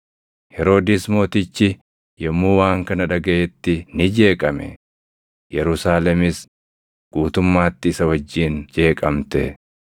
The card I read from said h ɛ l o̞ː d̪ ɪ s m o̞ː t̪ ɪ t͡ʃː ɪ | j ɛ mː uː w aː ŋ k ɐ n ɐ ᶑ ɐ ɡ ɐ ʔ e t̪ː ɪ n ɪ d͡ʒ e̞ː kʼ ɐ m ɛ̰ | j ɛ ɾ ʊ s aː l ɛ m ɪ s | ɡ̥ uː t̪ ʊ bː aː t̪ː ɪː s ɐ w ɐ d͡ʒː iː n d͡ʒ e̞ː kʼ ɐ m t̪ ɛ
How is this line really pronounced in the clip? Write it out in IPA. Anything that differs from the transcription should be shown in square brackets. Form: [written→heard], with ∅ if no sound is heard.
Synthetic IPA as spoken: h ɛ [l→ɾ] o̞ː d̪ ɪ s m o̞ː t̪ ɪ t͡ʃː ɪ | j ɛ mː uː w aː ŋ k ɐ n ɐ ᶑ ɐ ɡ ɐ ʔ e t̪ː ɪ n ɪ d͡ʒ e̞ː kʼ ɐ m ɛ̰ | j ɛ ɾ ʊ s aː l ɛ m ɪ s | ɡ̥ uː t̪ ʊ [bː→mː] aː t̪ː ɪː s ɐ w ɐ d͡ʒː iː n d͡ʒ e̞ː kʼ ɐ m t̪ ɛ